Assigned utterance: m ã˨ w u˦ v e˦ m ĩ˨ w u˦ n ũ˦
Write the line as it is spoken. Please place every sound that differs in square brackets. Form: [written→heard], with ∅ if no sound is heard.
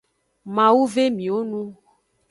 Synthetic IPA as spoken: m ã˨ w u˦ v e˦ m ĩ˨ w [u˦→o˦] n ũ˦